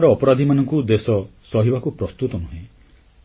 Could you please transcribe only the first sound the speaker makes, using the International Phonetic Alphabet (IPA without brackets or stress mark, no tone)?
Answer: ɾ